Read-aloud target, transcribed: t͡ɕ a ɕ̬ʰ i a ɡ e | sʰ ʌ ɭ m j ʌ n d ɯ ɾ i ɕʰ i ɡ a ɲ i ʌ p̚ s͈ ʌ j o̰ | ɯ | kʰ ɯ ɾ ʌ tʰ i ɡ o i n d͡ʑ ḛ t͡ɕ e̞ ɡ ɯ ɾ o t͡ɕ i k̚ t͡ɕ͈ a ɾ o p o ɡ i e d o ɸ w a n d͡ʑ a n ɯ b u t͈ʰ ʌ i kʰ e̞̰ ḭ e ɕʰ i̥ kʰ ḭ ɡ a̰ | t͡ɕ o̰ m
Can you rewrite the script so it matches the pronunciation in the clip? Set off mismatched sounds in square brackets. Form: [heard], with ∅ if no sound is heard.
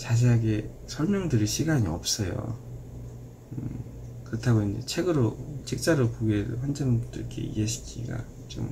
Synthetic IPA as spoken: t͡ɕ a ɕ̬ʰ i a ɡ e | sʰ ʌ ɭ m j ʌ [ŋ] d ɯ ɾ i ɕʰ i ɡ a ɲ i ʌ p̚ s͈ ʌ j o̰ | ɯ | [k] ɯ ɾ ʌ tʰ [a] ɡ o i n d͡ʑ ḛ [t͡ɕʰ] e̞ ɡ ɯ ɾ o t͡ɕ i k̚ t͡ɕ͈ a ɾ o p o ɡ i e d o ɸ w a n d͡ʑ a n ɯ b u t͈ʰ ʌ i kʰ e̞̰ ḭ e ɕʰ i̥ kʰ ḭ ɡ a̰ | t͡ɕ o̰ m